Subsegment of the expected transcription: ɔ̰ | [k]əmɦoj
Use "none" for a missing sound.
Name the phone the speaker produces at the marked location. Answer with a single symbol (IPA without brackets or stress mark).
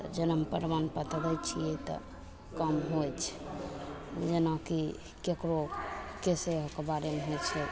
k